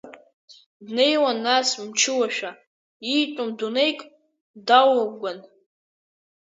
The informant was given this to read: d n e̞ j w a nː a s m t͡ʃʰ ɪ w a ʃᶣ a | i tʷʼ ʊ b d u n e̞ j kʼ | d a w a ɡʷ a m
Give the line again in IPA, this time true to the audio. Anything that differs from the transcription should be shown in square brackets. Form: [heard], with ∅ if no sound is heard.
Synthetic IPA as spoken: d n e̞ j w a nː a s m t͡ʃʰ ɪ w a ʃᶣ a | i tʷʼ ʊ [m] d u n e̞ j kʼ | d a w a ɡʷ a [n]